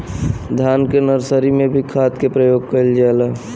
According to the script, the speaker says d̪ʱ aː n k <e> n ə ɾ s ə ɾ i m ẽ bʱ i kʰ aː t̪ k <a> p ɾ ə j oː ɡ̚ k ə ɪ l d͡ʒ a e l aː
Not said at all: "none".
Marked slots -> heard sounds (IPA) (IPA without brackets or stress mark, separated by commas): e, e